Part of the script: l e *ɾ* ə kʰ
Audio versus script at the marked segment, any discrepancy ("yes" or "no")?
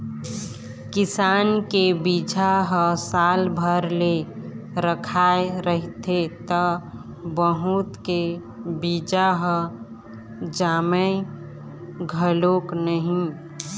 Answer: no